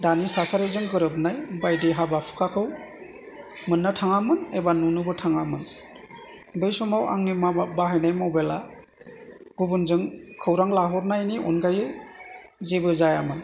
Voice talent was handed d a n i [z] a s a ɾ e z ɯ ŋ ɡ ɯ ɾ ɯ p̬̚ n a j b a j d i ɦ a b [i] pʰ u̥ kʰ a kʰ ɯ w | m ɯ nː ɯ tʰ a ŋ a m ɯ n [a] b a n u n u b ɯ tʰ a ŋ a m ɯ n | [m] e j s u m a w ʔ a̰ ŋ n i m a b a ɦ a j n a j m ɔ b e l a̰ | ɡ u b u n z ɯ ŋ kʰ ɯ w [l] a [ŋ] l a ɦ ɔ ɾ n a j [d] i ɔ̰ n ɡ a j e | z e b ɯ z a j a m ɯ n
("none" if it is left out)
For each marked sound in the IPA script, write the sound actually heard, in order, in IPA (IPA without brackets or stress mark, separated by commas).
s, a, e, b, ɾ, ŋ, n